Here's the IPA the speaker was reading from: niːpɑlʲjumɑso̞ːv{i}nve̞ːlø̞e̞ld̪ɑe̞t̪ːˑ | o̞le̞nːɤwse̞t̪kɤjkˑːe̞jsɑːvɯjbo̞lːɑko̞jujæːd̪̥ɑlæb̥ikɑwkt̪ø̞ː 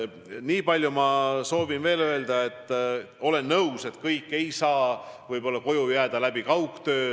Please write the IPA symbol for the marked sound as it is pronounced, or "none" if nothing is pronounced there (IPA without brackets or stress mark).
i